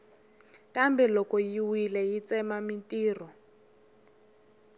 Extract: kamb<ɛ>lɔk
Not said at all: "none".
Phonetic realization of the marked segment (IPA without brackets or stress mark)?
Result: ɛ